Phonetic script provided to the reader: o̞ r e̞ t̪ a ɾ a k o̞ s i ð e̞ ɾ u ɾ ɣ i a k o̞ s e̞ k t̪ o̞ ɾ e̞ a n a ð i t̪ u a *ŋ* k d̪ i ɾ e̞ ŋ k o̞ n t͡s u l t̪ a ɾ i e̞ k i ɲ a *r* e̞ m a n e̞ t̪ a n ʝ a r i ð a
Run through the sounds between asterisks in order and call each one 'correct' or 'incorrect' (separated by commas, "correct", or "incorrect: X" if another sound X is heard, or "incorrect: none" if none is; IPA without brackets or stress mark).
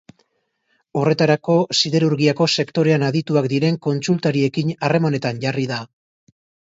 incorrect: none, correct